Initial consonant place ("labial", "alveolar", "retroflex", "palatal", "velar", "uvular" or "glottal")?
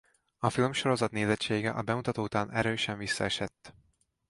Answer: labial